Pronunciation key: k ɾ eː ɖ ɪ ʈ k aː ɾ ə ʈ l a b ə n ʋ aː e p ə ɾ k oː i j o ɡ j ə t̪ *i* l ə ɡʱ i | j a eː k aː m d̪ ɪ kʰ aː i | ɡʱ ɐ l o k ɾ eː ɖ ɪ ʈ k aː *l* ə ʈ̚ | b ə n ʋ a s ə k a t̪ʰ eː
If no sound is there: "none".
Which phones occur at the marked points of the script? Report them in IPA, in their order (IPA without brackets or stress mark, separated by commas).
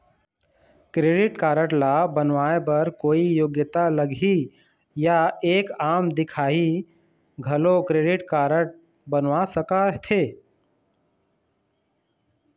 a, ɾ